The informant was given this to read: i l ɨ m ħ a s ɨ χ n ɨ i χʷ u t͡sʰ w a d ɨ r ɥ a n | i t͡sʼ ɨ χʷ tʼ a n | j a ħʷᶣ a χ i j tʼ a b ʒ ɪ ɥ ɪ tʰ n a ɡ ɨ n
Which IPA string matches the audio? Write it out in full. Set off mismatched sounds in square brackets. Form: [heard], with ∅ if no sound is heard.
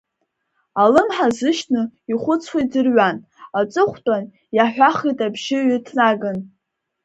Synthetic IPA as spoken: [a] l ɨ m ħ a [z] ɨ [ʃ] n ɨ i χʷ [ʊ] t͡sʰ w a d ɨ r ɥ a n | [a] t͡sʼ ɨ χʷ tʼ a n | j a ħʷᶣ a χ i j tʼ a b ʒ ɪ ɥ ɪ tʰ n a ɡ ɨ n

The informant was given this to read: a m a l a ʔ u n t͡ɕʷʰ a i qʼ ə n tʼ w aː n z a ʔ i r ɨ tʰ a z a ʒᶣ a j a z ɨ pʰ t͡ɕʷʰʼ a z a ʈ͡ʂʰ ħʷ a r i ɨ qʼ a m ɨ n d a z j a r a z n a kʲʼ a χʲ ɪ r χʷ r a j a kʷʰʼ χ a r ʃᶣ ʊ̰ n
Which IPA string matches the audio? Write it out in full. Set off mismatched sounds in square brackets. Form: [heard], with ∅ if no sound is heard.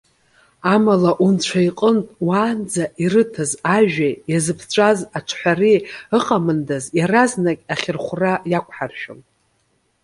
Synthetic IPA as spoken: a m a l a ʔ u n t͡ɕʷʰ a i qʼ ə n tʼ w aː n [d͡z] a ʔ i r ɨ tʰ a z a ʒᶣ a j a z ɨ pʰ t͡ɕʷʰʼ a z a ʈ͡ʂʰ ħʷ a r i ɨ qʼ a m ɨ n d a z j a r a z n a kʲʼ a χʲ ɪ r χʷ r a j a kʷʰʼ [ħ] a r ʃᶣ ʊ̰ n

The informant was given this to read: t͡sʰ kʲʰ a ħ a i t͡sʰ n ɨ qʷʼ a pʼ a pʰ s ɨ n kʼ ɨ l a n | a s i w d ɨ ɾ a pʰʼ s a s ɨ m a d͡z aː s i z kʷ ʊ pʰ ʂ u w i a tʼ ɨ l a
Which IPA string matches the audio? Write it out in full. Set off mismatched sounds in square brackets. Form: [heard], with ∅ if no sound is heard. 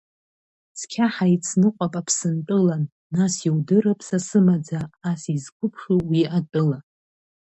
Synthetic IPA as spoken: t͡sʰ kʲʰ a ħ a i t͡sʰ n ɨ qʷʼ a pʼ a pʰ s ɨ n [tʼ] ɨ l a [nː] | a s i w d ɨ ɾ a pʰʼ s a s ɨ m a d͡z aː s i z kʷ ʊ pʰ ʂ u w i a tʼ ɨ l a

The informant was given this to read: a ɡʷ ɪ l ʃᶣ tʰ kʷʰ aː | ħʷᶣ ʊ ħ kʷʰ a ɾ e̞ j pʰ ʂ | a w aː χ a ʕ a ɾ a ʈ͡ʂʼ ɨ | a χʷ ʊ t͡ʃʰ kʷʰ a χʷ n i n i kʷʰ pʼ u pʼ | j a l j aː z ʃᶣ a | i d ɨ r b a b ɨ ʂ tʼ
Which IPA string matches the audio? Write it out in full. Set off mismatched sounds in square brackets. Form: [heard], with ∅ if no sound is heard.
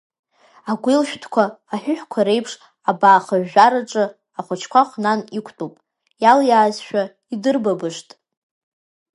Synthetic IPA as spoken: a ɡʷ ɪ l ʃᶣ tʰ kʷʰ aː | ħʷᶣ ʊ ħ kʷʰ a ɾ e̞ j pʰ ʂ | a [b] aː χ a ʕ a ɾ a ʈ͡ʂʼ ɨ | a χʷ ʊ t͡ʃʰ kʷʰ a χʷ n [a] n i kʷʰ [tʼ] u pʼ | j a l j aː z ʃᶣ a | i d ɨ r b a b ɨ ʂ tʼ

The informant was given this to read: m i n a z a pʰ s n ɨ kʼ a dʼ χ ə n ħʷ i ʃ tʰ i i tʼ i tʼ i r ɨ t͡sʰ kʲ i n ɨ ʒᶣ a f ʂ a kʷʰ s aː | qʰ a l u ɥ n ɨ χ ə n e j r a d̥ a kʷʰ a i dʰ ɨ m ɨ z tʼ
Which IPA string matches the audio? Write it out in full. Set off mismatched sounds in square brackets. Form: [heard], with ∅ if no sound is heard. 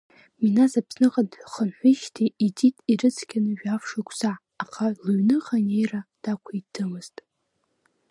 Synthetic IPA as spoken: m i n a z a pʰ s n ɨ [qʼ] a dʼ χ ə n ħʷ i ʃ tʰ i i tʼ i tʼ i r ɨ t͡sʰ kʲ [a] n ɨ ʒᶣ a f ʂ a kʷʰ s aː | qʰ a l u ɥ n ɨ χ [a] n e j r a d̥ a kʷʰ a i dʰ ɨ m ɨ z tʼ

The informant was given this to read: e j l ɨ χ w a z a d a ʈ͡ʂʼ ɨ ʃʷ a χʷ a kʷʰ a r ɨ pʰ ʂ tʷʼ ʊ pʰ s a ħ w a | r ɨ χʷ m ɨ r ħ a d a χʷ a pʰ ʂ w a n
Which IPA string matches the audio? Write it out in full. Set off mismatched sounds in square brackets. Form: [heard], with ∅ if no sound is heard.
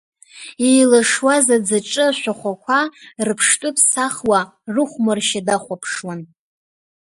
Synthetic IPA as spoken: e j l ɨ [ʂ] w a z a [d͡z] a ʈ͡ʂʼ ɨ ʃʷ a χʷ a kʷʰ a r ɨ pʰ ʂ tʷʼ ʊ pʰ s a [χ] w a | r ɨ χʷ m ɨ r [ʃ] a d a χʷ a pʰ ʂ w a n

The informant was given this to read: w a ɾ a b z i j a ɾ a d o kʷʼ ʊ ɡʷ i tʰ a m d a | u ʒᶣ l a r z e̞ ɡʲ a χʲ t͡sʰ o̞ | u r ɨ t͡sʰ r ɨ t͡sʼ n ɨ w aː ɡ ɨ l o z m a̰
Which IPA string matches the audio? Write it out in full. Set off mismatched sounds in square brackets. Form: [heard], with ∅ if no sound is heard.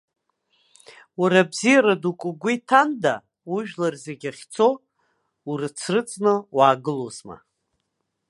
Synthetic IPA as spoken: w a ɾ a b z i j a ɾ a d [u] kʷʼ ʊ ɡʷ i tʰ a [n] d a | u ʒᶣ l a r z e̞ ɡʲ a χʲ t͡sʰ o̞ | u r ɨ t͡sʰ r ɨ t͡sʼ n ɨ w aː ɡ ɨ l o z m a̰

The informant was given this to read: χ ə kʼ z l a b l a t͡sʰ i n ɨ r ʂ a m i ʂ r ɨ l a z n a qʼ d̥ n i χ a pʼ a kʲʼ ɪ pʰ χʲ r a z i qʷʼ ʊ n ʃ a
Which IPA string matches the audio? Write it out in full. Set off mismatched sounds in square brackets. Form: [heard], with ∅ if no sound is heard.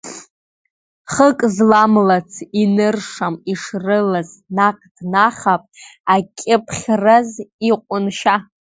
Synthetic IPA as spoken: χ ə kʼ z l a [m] l a t͡sʰ i n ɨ r ʂ a m i ʂ r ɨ l a z n a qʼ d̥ n [a] χ a pʼ a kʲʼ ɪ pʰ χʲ r a z i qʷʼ ʊ n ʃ a

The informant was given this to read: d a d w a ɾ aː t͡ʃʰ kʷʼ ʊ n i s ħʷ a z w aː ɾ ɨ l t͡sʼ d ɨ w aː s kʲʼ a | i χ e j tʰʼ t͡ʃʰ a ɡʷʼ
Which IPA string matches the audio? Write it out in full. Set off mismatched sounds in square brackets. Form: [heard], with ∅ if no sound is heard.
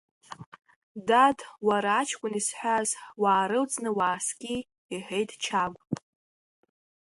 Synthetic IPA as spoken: d a d w a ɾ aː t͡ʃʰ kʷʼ ʊ n i s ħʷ a z w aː ɾ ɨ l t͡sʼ [n] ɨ w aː s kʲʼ [i] | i [ħ] e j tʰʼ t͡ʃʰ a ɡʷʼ

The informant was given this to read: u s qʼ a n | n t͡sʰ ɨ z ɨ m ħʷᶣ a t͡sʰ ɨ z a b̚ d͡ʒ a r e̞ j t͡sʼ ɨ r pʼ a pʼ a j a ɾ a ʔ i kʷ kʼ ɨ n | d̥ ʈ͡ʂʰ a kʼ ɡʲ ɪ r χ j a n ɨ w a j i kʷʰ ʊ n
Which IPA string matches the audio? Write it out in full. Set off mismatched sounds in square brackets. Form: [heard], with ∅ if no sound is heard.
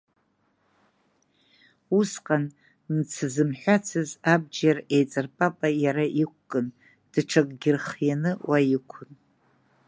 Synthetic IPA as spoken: u s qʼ a n | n t͡sʰ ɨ z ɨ m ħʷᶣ a t͡sʰ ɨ z a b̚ d͡ʒ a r e̞ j t͡sʼ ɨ r pʼ a pʼ a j a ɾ a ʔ i kʷ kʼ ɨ n | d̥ ʈ͡ʂʰ a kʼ ɡʲ ɪ r χ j a n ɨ w a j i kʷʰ ʊ n

